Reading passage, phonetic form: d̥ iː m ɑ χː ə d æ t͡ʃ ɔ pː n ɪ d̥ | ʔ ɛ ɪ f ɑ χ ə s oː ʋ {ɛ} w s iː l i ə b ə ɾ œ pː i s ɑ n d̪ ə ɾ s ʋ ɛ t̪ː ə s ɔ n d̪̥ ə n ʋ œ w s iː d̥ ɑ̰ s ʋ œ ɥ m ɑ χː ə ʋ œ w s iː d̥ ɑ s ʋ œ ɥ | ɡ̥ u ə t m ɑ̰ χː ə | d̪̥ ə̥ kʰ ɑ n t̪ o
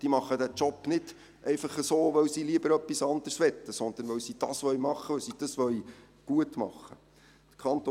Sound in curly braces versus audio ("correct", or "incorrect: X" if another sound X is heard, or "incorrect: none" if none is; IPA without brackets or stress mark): incorrect: œ